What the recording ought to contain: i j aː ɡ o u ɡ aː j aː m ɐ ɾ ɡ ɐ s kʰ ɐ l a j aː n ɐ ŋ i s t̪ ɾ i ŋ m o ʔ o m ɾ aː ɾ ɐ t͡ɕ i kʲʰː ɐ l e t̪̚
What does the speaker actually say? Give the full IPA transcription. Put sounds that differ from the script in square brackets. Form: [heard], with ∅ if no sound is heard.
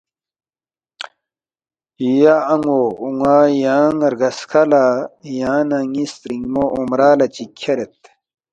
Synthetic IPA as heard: i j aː [ŋ] o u [ŋ] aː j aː [ŋ] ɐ ɾ ɡ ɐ s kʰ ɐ l a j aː n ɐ ŋ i s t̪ ɾ i ŋ m o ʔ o m ɾ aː [l] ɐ t͡ɕ i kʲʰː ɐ [ɾ] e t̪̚

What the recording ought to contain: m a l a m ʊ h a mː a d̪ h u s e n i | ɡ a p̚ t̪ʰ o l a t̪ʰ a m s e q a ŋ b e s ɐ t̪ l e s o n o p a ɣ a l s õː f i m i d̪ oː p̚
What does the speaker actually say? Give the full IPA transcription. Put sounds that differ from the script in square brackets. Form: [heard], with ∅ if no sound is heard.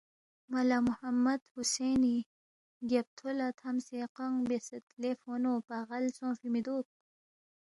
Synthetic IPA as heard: m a l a m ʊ h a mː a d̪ h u s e n i | ɡ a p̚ t̪ʰ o l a t̪ʰ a m s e q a ŋ b e s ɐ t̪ l e [f] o n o p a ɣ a l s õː f i m i d̪ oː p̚

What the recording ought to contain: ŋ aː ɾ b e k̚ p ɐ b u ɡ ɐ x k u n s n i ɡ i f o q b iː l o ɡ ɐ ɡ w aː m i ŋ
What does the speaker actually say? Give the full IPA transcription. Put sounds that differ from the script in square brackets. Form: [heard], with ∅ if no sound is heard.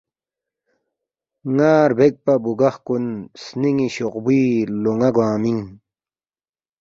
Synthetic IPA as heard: ŋ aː ɾ b e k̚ p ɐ b u ɡ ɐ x k u n s n i [ŋ] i [ɕ] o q b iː l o [ŋ] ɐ ɡ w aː m i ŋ

